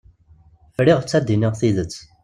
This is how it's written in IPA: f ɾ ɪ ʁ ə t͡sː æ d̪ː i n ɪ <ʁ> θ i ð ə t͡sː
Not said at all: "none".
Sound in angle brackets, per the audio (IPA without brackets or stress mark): ʁ